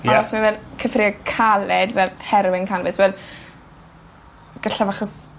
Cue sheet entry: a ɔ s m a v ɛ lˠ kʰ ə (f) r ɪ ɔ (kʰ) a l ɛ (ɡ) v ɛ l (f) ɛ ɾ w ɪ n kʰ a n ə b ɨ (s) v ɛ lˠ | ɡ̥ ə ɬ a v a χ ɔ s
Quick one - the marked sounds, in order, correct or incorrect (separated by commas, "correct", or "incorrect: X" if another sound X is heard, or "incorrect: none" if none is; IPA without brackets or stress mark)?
correct, correct, incorrect: d, incorrect: h, correct